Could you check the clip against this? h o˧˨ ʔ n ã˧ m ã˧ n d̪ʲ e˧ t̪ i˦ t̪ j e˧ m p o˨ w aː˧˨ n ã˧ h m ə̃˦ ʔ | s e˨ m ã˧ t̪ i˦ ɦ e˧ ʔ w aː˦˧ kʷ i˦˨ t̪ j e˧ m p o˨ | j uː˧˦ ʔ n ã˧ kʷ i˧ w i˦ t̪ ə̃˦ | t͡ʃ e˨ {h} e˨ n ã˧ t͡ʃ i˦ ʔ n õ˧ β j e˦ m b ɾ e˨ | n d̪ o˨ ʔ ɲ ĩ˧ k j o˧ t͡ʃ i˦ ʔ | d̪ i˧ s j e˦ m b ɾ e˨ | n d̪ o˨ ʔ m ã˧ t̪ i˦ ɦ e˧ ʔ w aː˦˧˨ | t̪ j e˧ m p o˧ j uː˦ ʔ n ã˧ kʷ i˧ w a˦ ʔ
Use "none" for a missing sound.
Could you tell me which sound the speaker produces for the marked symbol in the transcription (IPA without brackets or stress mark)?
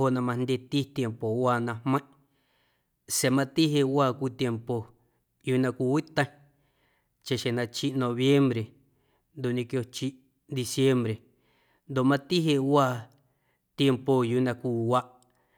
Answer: ʃ